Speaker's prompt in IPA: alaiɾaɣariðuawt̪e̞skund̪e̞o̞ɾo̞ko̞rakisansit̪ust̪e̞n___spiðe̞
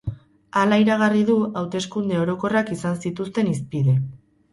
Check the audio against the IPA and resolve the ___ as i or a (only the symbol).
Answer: i